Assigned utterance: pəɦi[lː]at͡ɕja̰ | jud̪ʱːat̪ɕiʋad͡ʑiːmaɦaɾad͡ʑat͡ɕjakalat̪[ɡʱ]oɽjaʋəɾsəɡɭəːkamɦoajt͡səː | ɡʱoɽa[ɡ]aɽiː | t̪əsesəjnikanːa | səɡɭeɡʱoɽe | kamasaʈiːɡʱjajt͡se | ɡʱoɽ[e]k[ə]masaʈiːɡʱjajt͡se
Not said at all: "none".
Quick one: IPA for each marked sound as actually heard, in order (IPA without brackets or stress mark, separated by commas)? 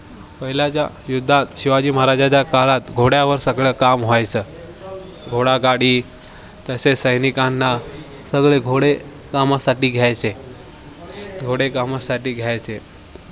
l, ɡʱ, ɡ, e, a